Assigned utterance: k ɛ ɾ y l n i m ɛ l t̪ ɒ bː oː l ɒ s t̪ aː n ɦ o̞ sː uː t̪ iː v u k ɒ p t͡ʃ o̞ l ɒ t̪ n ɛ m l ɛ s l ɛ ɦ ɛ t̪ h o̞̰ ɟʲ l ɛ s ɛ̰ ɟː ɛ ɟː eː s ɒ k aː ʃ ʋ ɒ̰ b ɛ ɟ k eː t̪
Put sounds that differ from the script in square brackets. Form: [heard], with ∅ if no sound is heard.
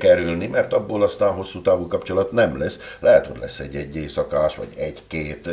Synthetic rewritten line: k ɛ ɾ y l n i m ɛ [r] t̪ ɒ bː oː l ɒ s t̪ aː n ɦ o̞ sː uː t̪ [aː] v u k ɒ p t͡ʃ o̞ l ɒ t̪ n ɛ m l ɛ s l ɛ ɦ ɛ t̪ h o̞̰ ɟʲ l ɛ [sː] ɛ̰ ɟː ɛ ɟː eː s ɒ k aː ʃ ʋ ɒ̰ [ɟ] ɛ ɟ k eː t̪